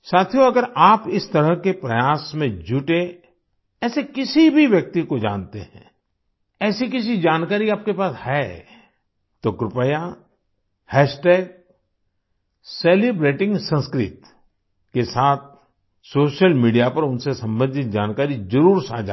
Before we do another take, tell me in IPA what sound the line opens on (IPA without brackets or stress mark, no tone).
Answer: s